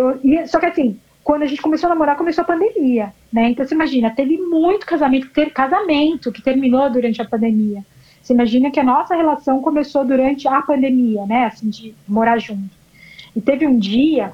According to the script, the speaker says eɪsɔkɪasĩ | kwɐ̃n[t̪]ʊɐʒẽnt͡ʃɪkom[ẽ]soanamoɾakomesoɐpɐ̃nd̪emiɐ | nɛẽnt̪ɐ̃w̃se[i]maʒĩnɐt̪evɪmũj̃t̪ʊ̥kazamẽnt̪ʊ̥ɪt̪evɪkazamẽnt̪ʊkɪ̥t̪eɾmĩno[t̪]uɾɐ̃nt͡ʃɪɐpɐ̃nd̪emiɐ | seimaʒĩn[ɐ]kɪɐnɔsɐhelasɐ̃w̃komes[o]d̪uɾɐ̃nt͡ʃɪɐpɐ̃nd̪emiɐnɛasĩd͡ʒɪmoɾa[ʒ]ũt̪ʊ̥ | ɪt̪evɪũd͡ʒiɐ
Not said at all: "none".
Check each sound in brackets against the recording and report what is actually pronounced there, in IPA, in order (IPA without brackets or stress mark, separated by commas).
d̪, e, i, d̪, ɐ, o, ʒ